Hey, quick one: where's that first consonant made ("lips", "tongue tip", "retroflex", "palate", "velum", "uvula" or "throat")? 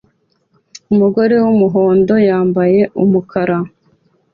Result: lips